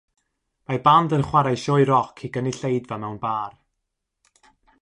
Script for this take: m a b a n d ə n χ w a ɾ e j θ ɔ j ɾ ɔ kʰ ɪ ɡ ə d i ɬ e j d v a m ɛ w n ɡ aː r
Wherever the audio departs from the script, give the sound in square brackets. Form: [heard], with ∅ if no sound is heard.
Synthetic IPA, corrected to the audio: m a b a n d ə n χ w a ɾ [a] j [ʃ] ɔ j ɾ ɔ kʰ [i] ɡ ə [n] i ɬ e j d v a m ɛ w n [b] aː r